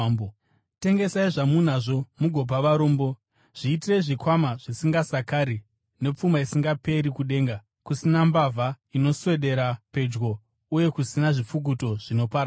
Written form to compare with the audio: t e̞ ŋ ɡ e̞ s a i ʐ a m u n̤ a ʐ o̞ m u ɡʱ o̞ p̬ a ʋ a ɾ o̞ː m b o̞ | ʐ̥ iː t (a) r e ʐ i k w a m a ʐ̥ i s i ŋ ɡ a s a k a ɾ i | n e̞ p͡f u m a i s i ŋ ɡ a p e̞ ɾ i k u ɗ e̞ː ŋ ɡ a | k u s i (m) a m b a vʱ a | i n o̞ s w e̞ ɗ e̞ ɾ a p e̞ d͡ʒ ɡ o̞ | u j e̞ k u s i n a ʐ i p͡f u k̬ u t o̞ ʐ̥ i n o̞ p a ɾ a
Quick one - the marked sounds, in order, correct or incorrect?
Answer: incorrect: i, incorrect: n

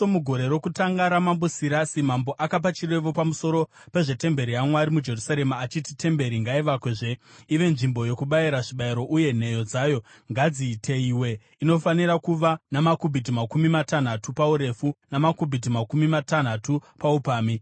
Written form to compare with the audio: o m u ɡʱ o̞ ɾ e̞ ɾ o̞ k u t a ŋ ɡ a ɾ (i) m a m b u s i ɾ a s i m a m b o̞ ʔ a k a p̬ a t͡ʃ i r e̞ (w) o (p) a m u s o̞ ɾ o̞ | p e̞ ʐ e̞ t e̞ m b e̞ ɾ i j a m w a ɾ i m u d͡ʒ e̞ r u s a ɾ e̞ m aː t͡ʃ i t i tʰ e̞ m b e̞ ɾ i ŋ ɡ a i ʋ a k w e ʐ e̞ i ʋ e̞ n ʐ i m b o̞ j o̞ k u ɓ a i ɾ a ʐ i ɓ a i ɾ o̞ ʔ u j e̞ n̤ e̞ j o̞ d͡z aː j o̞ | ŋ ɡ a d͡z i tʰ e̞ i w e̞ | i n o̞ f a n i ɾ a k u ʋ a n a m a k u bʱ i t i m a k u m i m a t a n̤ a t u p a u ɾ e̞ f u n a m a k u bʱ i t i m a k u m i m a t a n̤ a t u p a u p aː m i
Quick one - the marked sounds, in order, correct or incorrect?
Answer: incorrect: a, incorrect: ʋ, correct

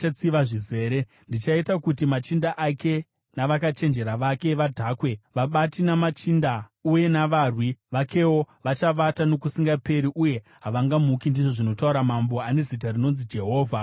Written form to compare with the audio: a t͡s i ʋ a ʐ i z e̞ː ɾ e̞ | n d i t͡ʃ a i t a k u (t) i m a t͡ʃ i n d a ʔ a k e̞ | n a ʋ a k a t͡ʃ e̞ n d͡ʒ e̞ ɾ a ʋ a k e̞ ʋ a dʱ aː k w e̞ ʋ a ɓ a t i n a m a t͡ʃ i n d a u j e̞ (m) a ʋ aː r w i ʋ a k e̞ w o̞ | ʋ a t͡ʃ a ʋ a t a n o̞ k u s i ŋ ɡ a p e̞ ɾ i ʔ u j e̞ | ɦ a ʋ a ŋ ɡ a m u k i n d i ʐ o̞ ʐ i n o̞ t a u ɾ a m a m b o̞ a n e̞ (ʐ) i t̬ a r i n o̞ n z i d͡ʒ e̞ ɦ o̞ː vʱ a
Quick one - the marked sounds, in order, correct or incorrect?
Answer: correct, incorrect: n, incorrect: z

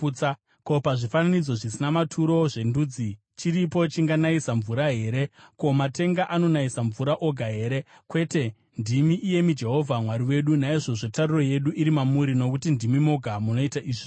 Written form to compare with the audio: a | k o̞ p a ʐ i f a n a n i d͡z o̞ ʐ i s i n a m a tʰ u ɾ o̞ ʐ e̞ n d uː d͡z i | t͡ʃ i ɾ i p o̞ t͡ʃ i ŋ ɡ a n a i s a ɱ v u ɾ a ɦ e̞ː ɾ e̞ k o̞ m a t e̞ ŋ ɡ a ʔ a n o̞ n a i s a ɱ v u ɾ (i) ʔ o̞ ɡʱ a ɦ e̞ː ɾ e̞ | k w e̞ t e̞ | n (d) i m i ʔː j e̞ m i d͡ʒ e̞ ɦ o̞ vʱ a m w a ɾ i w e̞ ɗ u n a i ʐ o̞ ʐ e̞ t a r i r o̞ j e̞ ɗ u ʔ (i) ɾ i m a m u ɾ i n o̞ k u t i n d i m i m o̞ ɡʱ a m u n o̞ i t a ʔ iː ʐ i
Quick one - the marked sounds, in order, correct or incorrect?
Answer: incorrect: a, correct, correct

